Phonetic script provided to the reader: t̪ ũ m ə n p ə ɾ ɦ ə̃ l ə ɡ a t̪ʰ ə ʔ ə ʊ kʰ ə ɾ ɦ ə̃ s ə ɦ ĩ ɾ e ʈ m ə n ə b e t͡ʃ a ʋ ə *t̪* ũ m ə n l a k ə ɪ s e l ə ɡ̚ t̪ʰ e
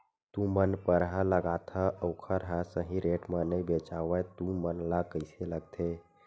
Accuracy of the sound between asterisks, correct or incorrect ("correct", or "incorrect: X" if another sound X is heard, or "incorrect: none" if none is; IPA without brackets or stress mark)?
correct